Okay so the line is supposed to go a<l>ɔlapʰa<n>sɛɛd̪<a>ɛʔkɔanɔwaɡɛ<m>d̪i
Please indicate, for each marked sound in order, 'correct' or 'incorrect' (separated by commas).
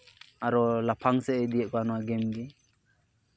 incorrect, incorrect, incorrect, correct